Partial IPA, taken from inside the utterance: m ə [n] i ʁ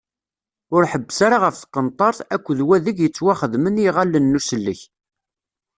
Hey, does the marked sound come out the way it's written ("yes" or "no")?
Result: yes